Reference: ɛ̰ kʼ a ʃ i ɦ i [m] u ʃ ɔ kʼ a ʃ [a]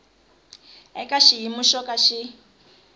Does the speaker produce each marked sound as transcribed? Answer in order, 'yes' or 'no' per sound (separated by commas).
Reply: yes, no